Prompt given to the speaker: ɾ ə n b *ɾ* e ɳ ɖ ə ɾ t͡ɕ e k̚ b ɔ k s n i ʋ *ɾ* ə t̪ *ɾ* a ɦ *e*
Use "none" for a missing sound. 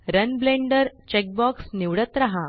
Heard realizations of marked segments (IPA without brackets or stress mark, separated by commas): l, ɽ, ɾ, a